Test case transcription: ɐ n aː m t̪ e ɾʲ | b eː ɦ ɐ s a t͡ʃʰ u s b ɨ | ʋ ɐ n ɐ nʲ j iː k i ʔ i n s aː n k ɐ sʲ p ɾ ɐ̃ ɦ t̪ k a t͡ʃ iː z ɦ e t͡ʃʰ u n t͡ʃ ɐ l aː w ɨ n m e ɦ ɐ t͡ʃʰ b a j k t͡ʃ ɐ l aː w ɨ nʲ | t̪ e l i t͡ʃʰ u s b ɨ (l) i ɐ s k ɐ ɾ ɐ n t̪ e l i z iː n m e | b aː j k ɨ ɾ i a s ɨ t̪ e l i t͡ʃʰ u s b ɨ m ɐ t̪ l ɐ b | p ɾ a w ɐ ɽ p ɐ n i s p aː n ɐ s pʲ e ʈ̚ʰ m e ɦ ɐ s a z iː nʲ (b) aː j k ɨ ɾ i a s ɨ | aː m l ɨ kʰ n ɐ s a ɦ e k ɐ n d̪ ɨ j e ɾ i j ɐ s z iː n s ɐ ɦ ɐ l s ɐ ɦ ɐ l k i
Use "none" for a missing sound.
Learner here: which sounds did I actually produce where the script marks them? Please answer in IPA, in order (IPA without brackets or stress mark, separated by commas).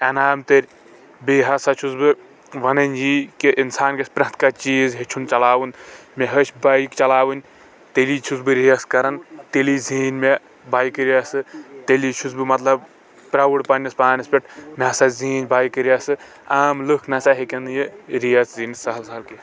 ɾ, b